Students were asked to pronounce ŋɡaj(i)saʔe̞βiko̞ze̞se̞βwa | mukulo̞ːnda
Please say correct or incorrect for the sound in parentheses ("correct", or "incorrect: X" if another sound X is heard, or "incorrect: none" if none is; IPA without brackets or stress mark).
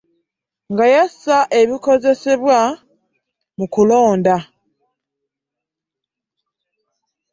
incorrect: a